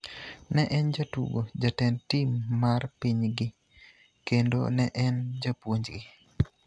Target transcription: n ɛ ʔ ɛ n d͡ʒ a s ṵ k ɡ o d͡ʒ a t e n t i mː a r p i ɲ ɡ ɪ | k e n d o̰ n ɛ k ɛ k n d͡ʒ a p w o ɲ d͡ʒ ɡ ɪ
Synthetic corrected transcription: n ɛ ʔ ɛ n d͡ʒ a t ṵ ɡ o d͡ʒ a t ɛ n t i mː a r p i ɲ ɡ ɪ | k e n d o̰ n ɛ ʔ ɛ n d͡ʒ a p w o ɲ d͡ʒ ɡ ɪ